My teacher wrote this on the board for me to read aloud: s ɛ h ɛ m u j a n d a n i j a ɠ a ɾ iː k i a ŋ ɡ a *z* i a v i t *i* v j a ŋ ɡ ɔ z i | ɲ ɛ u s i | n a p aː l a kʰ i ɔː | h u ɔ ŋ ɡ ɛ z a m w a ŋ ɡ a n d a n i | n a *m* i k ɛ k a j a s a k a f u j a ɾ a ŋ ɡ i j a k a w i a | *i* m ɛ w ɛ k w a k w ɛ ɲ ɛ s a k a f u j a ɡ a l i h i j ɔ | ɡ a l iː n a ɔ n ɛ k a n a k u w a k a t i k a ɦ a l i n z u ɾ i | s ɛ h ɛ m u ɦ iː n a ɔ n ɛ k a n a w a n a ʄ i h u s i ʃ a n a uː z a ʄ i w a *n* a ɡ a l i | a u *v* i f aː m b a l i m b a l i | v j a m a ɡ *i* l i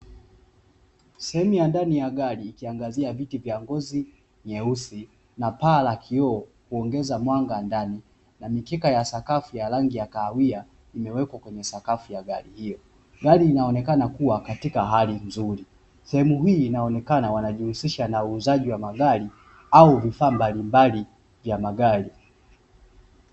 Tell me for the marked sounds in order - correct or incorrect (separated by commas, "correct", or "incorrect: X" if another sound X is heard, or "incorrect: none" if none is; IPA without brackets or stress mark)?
correct, correct, correct, correct, incorrect: m, correct, incorrect: a